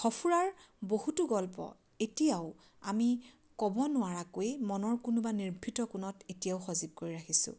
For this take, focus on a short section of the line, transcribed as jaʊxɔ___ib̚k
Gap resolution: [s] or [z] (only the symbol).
z